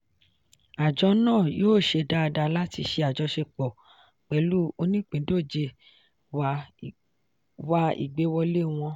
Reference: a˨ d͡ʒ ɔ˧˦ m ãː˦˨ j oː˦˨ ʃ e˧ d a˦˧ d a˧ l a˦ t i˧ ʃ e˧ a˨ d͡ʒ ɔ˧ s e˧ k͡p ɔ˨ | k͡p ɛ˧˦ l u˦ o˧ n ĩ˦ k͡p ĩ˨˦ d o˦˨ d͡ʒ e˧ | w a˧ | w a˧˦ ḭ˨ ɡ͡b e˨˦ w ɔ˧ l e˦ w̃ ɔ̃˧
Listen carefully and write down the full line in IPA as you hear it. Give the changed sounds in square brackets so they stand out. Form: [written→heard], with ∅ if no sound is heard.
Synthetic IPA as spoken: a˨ d͡ʒ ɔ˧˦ [m→n] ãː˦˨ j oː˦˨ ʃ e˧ d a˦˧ d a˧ l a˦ t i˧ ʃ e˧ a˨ d͡ʒ ɔ˧ [s→ʃ] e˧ k͡p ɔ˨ | k͡p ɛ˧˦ l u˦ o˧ n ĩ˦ k͡p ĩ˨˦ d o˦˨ d͡ʒ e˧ | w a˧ | w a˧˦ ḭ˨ ɡ͡b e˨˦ w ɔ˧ l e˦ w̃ ɔ̃˧

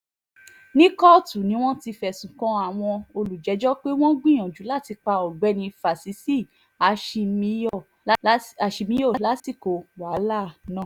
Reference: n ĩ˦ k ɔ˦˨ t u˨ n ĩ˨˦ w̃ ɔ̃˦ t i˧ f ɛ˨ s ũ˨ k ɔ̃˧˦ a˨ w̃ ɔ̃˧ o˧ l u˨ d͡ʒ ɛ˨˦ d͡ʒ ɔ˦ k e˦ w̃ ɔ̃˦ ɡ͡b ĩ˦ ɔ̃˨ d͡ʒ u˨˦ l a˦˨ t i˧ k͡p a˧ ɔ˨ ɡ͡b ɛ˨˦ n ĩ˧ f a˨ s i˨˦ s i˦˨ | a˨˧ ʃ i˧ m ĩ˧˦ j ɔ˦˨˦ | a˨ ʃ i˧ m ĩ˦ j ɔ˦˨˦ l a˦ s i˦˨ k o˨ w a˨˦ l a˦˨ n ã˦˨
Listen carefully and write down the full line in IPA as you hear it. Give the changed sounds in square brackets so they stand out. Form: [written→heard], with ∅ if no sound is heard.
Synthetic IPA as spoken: n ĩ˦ k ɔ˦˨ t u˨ n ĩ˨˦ w̃ ɔ̃˦ t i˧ f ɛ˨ s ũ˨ k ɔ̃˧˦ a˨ w̃ ɔ̃˧ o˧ l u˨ d͡ʒ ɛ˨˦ d͡ʒ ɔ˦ [k→k͡p] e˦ w̃ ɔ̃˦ ɡ͡b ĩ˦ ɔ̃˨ d͡ʒ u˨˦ l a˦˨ t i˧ k͡p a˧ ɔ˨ ɡ͡b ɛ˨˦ n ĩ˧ f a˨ s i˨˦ s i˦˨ | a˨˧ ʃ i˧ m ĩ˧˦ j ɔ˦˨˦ | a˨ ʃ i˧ m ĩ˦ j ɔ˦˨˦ l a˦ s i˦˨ k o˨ w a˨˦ l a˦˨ n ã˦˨

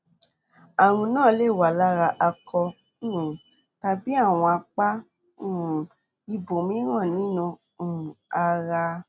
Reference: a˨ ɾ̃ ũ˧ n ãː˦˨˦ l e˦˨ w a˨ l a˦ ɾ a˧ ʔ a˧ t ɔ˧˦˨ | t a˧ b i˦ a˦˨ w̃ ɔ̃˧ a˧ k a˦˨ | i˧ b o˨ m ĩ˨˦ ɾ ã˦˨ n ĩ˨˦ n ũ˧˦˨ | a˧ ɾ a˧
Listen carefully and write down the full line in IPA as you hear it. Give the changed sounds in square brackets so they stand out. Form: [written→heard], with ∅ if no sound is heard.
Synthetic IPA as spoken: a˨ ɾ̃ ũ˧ n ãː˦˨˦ l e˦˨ w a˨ l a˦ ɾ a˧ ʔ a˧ [t→k] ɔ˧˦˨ | t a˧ b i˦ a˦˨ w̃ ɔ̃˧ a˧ [k→k͡p] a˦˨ | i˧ b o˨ m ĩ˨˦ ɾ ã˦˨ n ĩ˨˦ n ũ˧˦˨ | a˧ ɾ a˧

